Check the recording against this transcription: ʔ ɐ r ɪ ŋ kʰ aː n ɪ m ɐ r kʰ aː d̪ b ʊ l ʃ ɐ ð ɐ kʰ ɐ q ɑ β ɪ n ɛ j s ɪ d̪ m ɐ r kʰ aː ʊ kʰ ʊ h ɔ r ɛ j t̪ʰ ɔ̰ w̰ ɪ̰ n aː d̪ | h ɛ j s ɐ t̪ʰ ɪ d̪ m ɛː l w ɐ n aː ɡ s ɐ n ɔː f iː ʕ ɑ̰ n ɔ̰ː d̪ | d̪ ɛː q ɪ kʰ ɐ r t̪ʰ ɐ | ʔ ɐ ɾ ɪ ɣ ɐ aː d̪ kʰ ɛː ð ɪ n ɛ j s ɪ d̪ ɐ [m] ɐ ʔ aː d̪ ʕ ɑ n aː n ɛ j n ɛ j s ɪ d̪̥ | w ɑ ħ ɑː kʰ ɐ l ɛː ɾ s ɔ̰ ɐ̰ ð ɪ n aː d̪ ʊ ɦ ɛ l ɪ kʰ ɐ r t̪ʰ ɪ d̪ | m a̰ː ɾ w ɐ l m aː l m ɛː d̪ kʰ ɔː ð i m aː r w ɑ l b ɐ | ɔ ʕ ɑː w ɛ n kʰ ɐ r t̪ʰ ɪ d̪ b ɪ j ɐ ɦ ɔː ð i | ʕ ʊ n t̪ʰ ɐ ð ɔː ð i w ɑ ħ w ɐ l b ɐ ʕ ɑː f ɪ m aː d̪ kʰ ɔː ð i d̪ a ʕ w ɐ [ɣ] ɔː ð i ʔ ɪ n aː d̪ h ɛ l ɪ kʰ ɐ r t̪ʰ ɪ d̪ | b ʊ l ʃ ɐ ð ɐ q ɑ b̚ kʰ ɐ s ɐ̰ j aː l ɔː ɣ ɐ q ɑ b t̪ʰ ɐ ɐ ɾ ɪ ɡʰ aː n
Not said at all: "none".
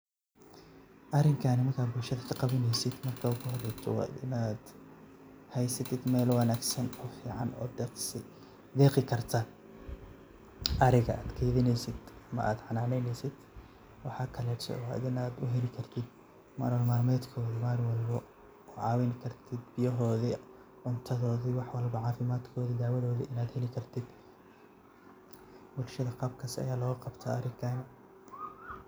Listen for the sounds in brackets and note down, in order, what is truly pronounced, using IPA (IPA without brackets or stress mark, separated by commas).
m, ð